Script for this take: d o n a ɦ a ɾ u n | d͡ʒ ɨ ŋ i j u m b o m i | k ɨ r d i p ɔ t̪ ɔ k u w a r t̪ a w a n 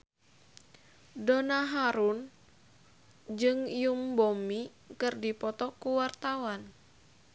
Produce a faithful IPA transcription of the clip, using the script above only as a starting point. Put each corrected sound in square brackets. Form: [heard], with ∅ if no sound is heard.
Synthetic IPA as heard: d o n a ɦ a ɾ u n | d͡ʒ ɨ ŋ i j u m b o m i | k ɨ r d i p ɔ t̪ ɔ k u w a r t̪ a w a n